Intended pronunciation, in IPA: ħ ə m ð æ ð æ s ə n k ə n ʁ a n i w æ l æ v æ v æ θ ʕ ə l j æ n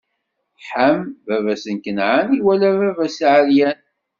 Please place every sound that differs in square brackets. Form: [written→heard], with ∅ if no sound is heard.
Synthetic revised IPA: ħ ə m [ð→v] æ [ð→v] æ s ə n k ə n [ʁ→ʕ] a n i w æ l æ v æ v æ [θ→s] ʕ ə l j æ n